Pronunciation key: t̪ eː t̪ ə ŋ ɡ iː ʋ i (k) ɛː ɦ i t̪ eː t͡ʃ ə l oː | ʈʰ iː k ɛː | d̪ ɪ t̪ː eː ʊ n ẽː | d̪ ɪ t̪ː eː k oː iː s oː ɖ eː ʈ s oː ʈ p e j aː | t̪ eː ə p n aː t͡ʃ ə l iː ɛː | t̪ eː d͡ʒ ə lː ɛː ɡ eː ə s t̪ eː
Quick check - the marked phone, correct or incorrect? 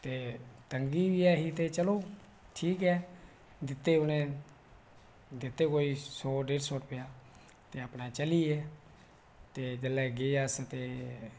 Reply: incorrect: none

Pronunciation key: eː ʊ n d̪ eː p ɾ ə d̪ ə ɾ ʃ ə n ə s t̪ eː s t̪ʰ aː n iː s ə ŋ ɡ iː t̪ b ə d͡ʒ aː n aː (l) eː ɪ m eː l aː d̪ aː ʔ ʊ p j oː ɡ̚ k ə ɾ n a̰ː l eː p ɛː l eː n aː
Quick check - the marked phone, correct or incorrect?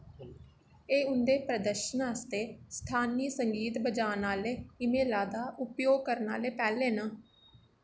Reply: correct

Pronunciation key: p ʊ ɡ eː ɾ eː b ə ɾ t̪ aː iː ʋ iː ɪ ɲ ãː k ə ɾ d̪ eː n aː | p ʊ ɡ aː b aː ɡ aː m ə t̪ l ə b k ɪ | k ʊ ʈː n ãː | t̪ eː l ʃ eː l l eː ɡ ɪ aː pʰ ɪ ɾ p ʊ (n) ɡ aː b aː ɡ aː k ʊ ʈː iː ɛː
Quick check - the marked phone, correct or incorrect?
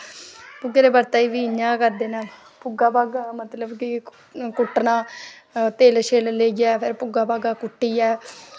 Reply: incorrect: none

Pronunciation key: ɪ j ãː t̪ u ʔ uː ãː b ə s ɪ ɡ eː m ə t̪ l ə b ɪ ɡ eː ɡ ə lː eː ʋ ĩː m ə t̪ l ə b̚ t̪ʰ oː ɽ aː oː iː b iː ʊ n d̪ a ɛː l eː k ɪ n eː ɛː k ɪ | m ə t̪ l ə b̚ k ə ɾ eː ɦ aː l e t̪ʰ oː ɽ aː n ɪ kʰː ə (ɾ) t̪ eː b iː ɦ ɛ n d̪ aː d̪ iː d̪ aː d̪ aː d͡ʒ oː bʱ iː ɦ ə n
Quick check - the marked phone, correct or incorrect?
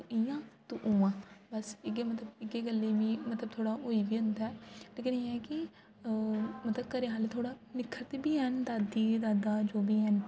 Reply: correct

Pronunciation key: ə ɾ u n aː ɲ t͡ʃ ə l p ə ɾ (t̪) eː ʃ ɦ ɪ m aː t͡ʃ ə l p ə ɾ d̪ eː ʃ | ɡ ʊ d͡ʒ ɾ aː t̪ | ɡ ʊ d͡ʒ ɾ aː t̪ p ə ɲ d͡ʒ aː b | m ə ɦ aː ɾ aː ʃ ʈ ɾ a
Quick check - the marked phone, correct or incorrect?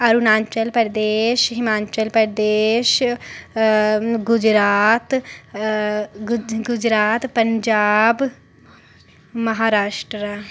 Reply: incorrect: d̪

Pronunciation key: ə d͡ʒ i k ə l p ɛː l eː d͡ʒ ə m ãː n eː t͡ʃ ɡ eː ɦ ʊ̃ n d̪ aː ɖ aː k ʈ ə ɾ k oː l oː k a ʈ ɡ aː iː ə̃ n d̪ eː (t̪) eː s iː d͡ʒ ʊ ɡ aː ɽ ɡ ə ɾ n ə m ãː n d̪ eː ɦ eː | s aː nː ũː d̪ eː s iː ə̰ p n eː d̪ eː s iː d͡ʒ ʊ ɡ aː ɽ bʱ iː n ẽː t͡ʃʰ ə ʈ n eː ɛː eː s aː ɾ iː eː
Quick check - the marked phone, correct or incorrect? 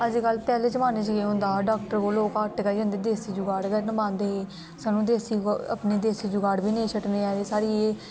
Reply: incorrect: d̪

